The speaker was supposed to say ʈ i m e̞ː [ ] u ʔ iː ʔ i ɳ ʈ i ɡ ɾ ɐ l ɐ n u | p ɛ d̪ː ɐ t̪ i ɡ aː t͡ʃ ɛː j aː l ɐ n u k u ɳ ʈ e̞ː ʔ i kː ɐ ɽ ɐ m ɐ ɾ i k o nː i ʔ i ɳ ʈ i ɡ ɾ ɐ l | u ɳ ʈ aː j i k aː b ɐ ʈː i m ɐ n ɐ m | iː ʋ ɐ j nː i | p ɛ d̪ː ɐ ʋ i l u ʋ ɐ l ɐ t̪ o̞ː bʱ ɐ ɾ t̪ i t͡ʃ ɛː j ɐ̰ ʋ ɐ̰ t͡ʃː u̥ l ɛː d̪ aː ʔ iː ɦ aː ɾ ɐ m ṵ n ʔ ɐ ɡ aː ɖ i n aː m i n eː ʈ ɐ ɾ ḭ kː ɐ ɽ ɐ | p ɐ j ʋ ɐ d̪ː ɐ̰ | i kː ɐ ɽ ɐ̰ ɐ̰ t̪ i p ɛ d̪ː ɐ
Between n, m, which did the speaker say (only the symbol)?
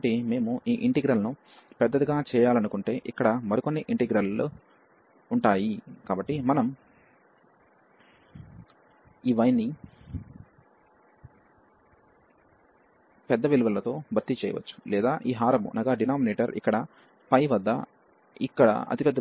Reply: m